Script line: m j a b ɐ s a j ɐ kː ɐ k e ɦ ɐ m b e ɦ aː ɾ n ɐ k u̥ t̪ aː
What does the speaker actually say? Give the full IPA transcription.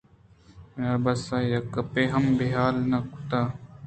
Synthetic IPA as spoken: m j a b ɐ s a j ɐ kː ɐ p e ɦ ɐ m b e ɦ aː l n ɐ k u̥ t̪ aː

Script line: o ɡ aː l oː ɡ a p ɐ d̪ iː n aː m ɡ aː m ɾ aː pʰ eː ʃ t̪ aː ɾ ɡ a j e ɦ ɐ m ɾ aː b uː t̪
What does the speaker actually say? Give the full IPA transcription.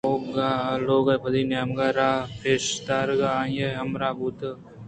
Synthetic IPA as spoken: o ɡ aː l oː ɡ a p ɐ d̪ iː n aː m ɡ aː ɾ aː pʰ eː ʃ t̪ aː ɾ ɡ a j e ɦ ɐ m ɾ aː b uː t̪

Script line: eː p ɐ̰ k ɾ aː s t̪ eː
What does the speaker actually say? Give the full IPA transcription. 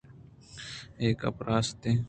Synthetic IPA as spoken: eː k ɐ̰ p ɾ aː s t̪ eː

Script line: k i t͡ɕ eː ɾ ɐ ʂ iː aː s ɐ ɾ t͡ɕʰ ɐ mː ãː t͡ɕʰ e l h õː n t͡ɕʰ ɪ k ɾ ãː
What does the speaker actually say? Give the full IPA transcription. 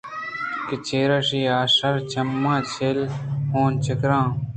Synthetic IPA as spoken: k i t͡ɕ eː ɾ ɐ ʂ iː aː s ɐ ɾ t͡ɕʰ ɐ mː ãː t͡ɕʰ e l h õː n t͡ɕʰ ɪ k ɾ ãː

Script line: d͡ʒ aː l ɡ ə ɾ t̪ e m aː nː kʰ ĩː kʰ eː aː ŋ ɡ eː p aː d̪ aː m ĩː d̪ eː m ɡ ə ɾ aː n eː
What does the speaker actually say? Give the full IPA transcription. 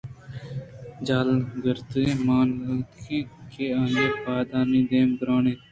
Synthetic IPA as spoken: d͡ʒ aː l ɡ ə ɾ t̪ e m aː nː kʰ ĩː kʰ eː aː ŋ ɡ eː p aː d̪ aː n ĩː d̪ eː m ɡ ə ɾ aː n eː

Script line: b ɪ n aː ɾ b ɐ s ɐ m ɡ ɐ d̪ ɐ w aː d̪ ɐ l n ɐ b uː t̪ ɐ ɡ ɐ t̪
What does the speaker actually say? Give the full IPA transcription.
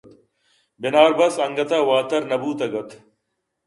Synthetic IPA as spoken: b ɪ n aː ɾ b ɐ s ɐ ŋ ɡ ɐ t̪ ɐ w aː t̪ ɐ ɾ n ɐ b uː t̪ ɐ ɡ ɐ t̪

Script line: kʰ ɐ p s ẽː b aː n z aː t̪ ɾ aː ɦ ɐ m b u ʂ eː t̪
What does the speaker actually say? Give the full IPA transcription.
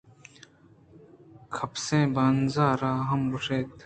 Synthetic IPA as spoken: kʰ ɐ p s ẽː b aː n z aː ɾ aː ɦ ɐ m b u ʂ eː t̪

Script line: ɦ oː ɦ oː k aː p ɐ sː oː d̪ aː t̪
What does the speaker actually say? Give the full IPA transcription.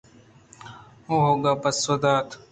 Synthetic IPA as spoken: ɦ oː ɦ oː ɡ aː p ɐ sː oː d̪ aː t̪

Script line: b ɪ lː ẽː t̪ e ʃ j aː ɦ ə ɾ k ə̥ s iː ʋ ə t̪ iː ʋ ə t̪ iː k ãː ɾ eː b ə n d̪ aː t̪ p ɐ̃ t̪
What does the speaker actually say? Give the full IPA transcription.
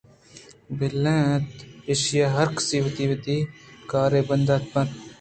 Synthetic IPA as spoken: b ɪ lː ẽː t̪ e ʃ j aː ɦ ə ɾ k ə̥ s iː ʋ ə t̪ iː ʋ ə t̪ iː k aː ɾ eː b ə n d̪ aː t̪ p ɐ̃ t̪

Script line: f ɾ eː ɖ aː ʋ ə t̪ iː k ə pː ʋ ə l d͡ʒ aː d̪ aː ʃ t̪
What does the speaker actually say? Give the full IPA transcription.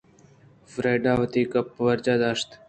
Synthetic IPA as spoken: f ɾ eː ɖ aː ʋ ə t̪ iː k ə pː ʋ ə ɾ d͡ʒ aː d̪ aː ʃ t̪

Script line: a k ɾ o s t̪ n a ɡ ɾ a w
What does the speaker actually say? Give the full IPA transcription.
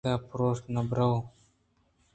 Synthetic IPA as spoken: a p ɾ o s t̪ n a b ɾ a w

